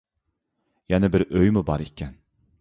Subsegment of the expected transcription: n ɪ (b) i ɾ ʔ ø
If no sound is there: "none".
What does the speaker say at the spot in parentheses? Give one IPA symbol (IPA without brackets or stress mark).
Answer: b